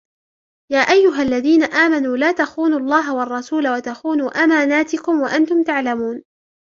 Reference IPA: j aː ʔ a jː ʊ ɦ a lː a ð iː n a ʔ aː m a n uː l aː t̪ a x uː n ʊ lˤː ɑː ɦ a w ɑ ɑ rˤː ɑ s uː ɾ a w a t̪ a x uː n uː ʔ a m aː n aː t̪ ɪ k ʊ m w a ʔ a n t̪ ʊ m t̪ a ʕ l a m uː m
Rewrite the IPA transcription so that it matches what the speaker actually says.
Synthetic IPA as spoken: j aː ʔ a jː ʊ ɦ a lː a ð iː n a ʔ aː m a n uː l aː t̪ a x uː n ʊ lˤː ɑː ɦ a w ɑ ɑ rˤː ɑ s uː l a w a t̪ a x uː n uː ʔ a m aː n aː t̪ ɪ k ʊ m w a ʔ a n t̪ ʊ m t̪ a ʕ l a m uː n